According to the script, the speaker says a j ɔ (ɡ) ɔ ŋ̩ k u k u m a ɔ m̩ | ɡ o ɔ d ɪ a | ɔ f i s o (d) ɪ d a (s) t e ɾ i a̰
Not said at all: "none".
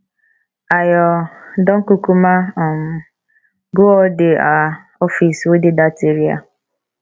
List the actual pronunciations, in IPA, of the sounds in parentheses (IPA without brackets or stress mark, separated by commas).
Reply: d, d, none